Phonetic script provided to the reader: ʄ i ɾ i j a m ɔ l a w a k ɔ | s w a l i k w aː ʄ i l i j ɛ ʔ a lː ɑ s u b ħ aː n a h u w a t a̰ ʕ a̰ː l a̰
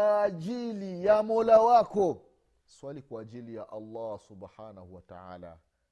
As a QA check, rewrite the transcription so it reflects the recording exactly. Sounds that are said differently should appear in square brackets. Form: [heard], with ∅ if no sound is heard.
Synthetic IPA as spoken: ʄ i [l] i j a m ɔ l a w a k ɔ | s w a l i k w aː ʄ i l i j [a] ʔ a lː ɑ s u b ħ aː n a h u w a t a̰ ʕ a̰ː l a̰